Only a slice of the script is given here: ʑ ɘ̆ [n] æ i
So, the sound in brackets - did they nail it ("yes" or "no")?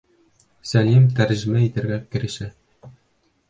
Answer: no